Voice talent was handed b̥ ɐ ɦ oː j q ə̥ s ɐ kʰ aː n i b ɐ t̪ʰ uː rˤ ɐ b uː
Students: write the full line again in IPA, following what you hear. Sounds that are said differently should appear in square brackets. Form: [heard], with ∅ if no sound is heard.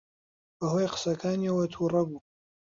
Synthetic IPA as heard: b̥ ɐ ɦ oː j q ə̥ s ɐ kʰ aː n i [w] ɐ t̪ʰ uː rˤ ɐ b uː